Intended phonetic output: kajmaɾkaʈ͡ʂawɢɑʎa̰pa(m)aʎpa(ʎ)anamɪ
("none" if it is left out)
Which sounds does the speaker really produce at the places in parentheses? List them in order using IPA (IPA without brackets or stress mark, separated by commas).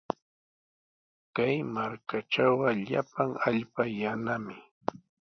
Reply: ŋ, j